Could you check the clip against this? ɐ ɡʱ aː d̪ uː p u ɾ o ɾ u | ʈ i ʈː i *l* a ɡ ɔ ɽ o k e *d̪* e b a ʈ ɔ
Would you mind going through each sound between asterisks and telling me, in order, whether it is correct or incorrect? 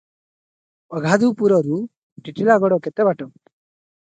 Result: correct, incorrect: t̪

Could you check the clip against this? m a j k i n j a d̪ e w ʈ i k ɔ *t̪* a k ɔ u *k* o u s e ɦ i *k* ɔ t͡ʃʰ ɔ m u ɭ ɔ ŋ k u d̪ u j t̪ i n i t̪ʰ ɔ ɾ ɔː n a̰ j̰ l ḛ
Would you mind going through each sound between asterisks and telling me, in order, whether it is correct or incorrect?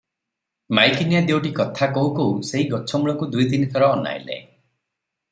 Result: incorrect: t̪ʰ, correct, incorrect: ɡ

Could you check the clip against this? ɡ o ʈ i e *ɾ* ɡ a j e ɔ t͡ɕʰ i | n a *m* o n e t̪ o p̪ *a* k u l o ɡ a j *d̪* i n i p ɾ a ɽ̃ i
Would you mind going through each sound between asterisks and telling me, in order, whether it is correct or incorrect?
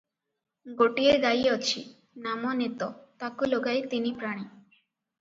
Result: correct, correct, correct, incorrect: t̪

